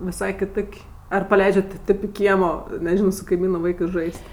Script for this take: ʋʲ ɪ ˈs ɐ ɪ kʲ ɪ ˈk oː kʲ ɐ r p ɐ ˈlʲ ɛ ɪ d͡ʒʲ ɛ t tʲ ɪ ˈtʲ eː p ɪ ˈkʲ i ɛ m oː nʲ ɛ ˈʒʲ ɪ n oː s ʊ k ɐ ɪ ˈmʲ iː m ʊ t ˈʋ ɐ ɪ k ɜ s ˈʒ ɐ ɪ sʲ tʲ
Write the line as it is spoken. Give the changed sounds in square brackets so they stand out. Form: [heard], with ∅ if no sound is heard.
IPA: ʋʲ ɪ ˈs ɐ ɪ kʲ ɪ [ˈt] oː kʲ ɐ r p ɐ ˈlʲ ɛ ɪ d͡ʒʲ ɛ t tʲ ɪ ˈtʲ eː p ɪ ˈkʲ i ɛ m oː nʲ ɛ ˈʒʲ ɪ n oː s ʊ k ɐ ɪ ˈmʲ iː [n] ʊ [∅] ˈʋ ɐ ɪ k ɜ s ˈʒ ɐ ɪ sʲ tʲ